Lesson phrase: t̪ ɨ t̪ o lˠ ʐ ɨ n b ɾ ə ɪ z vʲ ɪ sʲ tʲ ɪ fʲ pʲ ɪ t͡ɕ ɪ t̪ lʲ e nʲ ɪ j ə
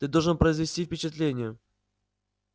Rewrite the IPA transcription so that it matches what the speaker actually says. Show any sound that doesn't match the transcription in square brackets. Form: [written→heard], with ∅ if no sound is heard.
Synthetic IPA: t̪ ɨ [t̪→d̪] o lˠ ʐ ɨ n [b→p] ɾ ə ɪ z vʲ ɪ sʲ tʲ [ɪ→i] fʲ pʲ ɪ t͡ɕ ɪ t̪ lʲ e nʲ ɪ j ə